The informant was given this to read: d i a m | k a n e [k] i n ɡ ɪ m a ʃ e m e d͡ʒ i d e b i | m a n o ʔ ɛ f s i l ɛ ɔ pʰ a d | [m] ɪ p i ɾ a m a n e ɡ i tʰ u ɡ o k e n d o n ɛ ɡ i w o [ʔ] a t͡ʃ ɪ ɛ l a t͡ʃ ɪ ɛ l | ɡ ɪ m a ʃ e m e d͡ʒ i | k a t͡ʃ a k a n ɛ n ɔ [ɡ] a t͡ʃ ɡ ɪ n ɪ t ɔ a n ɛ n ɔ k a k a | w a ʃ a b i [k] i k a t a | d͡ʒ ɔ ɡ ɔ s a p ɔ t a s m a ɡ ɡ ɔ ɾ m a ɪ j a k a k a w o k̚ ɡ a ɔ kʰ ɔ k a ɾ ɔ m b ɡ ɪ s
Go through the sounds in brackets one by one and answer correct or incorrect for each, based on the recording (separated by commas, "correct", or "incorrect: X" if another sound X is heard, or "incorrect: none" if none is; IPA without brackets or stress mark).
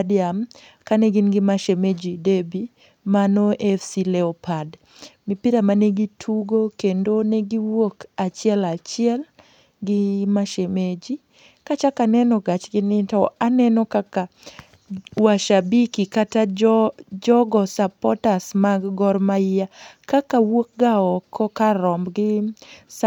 incorrect: ɡ, correct, incorrect: k, correct, correct